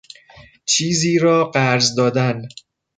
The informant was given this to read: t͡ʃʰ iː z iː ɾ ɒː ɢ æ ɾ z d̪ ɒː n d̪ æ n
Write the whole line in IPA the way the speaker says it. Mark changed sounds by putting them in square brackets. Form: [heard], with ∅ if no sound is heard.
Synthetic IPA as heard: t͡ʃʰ iː z iː ɾ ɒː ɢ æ ɾ z d̪ ɒː [∅] d̪ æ n